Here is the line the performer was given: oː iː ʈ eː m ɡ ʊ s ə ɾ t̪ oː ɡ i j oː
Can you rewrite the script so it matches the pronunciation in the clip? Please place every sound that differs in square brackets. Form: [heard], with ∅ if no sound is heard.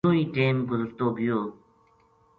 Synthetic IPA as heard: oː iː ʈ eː m ɡ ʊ [z] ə ɾ t̪ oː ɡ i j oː